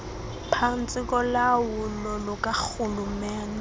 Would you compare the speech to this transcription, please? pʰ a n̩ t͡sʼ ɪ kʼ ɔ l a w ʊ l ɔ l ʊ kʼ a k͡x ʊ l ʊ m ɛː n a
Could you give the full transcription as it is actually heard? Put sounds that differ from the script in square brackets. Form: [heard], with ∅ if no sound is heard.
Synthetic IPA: pʰ a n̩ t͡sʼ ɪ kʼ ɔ l a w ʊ l ɔ l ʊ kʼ a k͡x ʊ l ʊ m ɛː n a